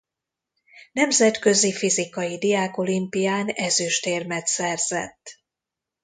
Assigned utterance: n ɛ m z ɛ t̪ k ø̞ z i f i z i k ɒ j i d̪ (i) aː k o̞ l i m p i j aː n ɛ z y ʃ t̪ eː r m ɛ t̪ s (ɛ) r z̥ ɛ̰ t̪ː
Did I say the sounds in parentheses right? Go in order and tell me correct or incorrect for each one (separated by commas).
correct, correct